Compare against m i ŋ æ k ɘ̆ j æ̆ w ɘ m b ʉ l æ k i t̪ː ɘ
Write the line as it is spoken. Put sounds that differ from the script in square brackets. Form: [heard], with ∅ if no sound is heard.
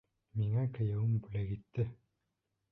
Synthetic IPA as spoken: m i ŋ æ k ɘ̆ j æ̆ w ɘ m b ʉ l æ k i t̪ː ɘ